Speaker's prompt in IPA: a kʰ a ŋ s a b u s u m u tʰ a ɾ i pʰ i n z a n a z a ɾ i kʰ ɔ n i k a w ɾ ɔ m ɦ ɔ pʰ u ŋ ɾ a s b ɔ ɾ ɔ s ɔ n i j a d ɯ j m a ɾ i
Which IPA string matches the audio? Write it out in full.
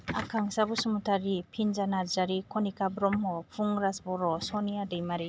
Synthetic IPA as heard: a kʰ a ŋ s a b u s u m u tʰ a ɾ i pʰ i n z a n a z a ɾ i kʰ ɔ n i k a b ɾ ɔ m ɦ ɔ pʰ u ŋ ɾ a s b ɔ ɾ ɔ s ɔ n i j a d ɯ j m a ɾ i

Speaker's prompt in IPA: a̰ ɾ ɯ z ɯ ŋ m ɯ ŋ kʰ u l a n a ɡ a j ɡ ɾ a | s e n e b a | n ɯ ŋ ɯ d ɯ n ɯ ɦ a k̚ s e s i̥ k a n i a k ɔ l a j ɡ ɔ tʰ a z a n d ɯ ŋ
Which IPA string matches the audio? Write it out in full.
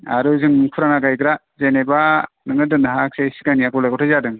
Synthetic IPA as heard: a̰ ɾ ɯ z ɯ ŋ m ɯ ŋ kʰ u ɾ a n a ɡ a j ɡ ɾ a | z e n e b a | n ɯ ŋ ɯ d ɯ n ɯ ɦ a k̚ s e s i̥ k a n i a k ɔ l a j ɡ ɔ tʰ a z a d ɯ ŋ

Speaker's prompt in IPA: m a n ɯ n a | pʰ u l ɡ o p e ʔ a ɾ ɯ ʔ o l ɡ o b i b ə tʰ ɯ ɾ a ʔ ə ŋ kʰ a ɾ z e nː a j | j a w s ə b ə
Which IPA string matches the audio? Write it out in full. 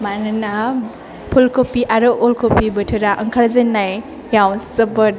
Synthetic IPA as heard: m a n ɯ n a | pʰ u l k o p i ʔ a ɾ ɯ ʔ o l k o p i b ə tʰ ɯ ɾ a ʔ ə ŋ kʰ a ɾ z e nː a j | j a w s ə b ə

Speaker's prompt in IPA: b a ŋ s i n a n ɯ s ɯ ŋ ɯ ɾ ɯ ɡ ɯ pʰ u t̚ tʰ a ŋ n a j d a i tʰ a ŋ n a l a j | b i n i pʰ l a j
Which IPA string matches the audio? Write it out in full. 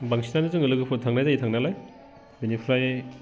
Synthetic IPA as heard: b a ŋ s i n a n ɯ z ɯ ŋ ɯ l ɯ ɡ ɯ pʰ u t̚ tʰ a ŋ n a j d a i tʰ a ŋ n a l a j | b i n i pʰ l a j

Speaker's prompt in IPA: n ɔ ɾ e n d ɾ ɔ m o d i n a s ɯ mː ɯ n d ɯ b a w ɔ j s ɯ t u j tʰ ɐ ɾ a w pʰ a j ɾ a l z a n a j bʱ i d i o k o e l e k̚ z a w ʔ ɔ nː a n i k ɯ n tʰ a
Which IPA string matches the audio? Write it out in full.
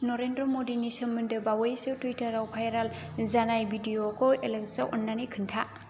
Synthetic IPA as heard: n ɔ ɾ e n d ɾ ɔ m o d i n i s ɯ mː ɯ n d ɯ b a w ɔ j s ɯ t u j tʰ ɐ ɾ a w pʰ a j ɾ a l z a n a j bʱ i d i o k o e l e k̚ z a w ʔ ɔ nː a n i kʰ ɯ n tʰ a

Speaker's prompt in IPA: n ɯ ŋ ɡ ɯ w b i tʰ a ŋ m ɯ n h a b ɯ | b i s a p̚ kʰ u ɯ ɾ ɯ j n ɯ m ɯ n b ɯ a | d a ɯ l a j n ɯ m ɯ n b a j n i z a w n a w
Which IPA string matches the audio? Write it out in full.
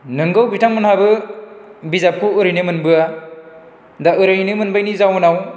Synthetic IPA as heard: n ɯ ŋ ɡ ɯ w b i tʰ a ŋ m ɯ n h a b ɯ | b i z a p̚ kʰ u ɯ ɾ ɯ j n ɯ m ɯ n b ɯ a | d a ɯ ɾ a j n ɯ m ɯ n b a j n i z a w n a w

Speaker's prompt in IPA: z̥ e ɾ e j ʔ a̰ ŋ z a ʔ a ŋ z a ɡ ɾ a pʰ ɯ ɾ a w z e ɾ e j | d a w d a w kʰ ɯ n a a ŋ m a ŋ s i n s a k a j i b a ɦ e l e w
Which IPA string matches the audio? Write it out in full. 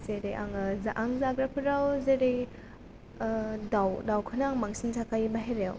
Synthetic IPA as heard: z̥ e ɾ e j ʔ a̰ ŋ z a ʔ a ŋ z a ɡ ɾ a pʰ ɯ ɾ a w z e ɾ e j | d a w d a w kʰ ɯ n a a ŋ m a ŋ s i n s a k a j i b a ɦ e ɾ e w

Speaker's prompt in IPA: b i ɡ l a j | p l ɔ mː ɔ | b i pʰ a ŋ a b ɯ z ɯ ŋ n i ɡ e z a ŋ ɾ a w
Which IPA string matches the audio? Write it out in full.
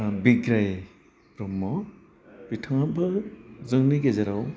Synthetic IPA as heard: b i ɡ ɾ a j | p ɾ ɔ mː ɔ | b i tʰ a ŋ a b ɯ z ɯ ŋ n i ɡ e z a ɾ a w

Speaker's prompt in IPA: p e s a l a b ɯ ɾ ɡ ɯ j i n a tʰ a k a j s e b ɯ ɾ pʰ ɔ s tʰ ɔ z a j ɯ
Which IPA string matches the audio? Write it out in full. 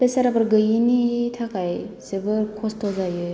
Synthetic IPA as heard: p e s a ɾ a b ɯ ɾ ɡ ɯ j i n i tʰ a k a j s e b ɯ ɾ kʰ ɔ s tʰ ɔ z a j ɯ

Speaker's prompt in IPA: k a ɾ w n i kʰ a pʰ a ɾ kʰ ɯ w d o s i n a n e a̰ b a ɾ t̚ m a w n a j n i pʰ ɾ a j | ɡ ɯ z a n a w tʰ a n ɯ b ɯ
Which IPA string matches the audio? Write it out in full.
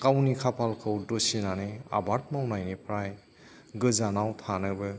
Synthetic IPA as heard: k a w n i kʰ a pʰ a l kʰ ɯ w d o s i n a n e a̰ b a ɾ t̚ m a w n a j n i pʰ ɾ a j | ɡ ɯ z a n a w tʰ a n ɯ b ɯ

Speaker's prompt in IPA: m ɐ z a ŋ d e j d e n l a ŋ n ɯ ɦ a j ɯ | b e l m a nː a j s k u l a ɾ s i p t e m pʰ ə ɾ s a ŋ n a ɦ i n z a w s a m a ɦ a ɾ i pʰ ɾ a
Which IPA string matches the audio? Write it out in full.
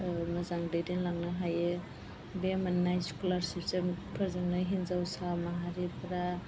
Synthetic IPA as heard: m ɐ z a ŋ d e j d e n l a ŋ n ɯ ɦ a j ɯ | b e m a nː a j s k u l a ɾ s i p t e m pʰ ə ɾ z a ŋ n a ɦ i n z a w s a m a ɦ a ɾ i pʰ ɾ a

